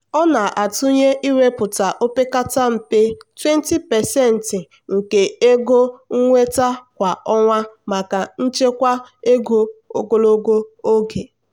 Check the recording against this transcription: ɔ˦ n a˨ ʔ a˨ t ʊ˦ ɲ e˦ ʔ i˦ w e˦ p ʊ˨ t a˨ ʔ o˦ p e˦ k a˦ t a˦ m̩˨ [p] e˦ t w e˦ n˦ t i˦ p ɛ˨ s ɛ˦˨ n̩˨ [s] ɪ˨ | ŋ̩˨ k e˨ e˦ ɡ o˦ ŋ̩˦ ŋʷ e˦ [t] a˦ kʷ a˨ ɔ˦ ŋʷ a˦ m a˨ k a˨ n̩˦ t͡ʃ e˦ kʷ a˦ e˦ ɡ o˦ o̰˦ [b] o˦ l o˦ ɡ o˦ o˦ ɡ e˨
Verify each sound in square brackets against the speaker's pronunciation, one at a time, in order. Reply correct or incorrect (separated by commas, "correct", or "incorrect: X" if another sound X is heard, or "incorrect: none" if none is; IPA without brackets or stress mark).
correct, incorrect: t, correct, incorrect: ɡ